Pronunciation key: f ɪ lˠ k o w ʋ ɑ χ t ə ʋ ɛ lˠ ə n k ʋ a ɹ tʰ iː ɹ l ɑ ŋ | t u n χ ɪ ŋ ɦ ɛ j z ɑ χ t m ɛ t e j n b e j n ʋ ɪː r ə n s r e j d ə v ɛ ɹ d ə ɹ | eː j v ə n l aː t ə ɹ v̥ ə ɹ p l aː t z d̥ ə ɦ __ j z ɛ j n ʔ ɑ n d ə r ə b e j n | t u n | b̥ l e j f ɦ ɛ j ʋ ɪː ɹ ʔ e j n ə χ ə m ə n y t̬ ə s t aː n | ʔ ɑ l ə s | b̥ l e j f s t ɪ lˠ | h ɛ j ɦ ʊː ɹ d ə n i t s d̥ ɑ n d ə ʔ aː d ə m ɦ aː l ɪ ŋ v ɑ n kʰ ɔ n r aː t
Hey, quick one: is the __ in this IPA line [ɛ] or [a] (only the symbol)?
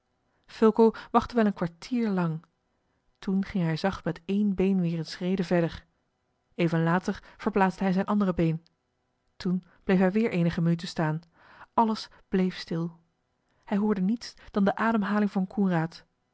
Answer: ɛ